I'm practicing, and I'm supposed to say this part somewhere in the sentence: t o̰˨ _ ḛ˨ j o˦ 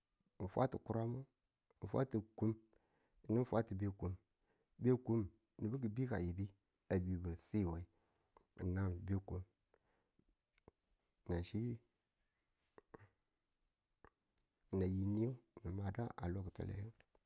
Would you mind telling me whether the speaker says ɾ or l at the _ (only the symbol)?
l